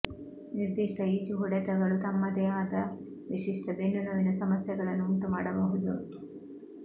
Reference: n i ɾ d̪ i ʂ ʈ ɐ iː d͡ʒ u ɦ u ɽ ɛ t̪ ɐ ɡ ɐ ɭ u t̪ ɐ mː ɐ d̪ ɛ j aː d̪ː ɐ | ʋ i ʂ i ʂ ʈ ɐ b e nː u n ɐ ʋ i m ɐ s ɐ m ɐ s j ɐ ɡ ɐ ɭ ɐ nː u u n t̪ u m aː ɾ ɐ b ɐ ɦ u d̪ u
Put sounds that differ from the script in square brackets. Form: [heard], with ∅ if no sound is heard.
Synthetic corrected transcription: n i ɾ d̪ i ʂ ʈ ɐ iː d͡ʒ u ɦ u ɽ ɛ t̪ ɐ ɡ ɐ ɭ u t̪ ɐ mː ɐ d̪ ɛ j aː [d̪] ɐ | ʋ i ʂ i ʂ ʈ ɐ b e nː u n ɐ ʋ i [n] ɐ s ɐ m ɐ s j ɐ ɡ ɐ ɭ ɐ nː u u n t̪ u m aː [ɽ] ɐ b ɐ ɦ u d̪ u